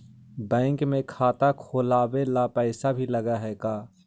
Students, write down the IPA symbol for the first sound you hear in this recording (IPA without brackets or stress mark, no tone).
b